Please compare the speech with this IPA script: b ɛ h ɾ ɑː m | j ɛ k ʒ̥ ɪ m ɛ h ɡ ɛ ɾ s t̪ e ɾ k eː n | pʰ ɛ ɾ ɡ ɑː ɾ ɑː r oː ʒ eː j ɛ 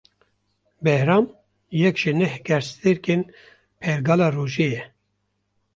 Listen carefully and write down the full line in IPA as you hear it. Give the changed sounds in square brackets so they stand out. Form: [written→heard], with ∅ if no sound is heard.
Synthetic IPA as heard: b ɛ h ɾ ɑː m | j ɛ k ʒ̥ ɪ [m→n] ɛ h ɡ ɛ ɾ s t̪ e ɾ k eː n | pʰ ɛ ɾ ɡ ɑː [ɾ→l] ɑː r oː ʒ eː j ɛ

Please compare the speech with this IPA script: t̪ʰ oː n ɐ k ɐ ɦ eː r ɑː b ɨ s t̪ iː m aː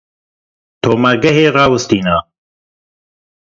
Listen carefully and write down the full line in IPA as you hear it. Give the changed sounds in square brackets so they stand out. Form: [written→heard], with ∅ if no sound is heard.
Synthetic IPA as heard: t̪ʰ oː [n→m] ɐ [k→ɡ] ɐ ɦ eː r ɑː [b→w] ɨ s t̪ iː [m→n] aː

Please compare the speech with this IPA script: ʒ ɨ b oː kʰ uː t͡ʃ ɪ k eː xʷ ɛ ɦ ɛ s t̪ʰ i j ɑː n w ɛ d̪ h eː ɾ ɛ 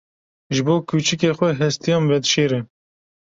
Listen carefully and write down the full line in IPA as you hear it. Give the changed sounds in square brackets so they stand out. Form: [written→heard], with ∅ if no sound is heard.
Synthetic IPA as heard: ʒ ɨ b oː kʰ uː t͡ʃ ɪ k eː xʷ ɛ ɦ ɛ s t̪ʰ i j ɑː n [w→v] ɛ d̪ [h→ʃ] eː ɾ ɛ

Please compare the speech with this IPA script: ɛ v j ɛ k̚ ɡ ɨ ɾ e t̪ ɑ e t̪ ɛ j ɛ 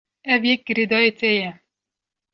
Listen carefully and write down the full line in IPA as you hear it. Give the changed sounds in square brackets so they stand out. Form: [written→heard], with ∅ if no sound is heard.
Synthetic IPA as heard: ɛ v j ɛ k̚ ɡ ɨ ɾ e [t̪→d̪] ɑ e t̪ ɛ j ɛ

